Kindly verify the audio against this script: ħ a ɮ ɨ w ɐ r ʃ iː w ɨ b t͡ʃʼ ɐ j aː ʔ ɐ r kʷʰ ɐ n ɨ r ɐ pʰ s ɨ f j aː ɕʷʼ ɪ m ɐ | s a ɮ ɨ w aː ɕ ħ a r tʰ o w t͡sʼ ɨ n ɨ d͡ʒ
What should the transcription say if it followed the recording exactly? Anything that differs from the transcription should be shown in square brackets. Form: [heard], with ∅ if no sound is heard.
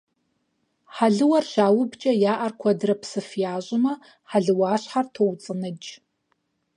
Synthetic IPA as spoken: ħ a ɮ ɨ w ɐ r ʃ [aː] w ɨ b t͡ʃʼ ɐ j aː ʔ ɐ r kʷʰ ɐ [d] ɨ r ɐ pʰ s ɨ f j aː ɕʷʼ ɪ m ɐ | [ħ] a ɮ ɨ w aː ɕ ħ a r tʰ o w t͡sʼ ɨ n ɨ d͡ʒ